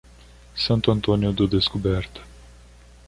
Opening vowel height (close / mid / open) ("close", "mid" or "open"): open